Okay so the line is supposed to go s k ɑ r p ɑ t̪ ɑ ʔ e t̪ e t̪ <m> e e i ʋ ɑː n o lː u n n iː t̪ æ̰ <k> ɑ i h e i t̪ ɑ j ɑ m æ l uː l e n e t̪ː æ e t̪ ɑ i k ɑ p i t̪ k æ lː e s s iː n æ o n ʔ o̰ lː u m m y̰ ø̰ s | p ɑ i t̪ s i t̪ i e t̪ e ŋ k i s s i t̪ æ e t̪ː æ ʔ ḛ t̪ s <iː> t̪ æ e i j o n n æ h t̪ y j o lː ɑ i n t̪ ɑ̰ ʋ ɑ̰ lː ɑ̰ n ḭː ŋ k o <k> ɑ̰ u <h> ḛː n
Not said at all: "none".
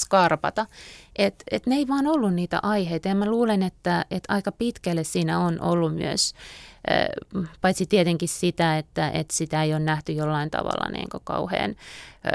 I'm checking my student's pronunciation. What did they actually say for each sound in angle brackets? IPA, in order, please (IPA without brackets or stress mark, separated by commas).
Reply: n, ʔ, i, k, h